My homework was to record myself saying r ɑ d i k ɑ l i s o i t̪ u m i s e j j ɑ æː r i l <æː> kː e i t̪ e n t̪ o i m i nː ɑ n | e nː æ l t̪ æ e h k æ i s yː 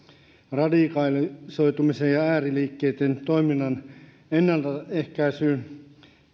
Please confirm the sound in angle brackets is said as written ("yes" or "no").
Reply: no